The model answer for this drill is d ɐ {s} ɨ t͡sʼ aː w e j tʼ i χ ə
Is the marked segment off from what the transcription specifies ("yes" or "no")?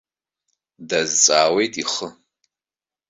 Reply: yes